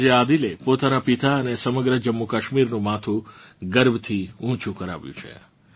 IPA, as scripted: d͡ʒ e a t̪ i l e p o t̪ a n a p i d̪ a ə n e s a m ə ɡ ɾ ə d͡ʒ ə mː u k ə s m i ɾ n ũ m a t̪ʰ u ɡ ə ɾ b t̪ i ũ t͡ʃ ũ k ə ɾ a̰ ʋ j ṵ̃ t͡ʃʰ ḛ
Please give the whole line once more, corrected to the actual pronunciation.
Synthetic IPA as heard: d͡ʒ e a d̪ i l e p o t̪ a n a p i t̪ a ə n e s ə m ə ɡ ɾ ə d͡ʒ ə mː u k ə ʃ m i ɾ n ũ m a t̪ʰ u ɡ ə ɾ b t̪ʰ i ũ t͡ʃ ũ k ə ɾ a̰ ʋ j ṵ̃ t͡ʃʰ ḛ